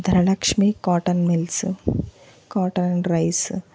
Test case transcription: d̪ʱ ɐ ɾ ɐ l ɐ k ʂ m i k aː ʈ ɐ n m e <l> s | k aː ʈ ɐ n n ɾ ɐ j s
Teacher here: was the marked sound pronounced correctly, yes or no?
yes